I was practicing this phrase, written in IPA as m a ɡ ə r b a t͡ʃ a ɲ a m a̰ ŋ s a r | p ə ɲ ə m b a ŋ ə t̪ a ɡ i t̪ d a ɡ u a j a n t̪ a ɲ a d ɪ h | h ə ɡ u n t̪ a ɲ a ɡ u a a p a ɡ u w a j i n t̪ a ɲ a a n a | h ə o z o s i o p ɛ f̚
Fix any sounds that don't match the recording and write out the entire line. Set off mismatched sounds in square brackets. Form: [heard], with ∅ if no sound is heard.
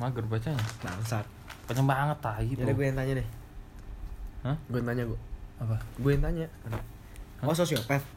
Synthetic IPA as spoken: m a ɡ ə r b a t͡ʃ a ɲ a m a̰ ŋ s a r | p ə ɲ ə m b a ŋ ə t̪ a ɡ i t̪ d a ɡ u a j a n t̪ a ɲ a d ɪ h | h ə ɡ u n t̪ a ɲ a ɡ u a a p a ɡ u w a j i n t̪ a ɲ a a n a | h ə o [s] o s i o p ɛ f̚